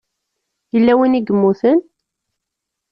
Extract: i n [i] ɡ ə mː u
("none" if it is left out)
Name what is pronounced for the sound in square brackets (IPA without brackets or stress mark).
i